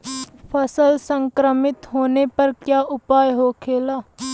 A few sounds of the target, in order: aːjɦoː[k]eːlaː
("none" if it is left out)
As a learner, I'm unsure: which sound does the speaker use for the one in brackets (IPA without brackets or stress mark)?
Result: kʰ